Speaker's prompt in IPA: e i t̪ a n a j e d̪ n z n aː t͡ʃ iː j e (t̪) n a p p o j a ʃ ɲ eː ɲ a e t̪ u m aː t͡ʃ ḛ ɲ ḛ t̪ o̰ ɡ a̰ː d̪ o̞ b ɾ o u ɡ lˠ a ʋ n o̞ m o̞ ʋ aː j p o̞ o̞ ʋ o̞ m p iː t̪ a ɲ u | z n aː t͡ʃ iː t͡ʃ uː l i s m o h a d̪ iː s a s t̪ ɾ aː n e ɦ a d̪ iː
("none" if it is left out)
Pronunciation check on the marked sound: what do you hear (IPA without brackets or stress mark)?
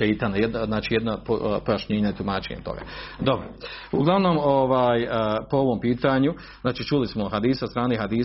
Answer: d̪